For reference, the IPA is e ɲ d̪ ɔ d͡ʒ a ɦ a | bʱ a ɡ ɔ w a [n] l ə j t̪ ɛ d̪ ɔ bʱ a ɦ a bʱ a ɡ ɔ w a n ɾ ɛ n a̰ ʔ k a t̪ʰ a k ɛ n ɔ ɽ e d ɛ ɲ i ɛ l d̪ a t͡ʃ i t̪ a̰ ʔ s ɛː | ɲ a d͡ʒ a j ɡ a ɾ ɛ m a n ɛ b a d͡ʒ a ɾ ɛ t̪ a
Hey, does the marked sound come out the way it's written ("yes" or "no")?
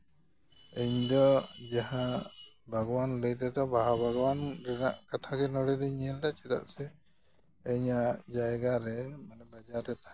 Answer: yes